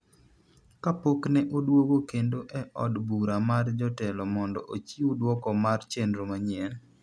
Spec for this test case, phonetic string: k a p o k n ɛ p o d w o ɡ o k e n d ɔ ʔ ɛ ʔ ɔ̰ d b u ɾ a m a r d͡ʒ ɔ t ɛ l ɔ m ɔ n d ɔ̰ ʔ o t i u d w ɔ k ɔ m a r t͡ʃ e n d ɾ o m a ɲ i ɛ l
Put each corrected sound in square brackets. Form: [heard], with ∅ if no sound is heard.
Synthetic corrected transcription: k a p o k n ɛ [ʔ] o d w o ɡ o k e n d [o] ʔ ɛ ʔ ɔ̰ d b u ɾ a m a r d͡ʒ ɔ t ɛ l ɔ m ɔ n d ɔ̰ ʔ o [t͡ʃ] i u d w ɔ k ɔ m a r t͡ʃ e n d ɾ o m a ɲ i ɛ l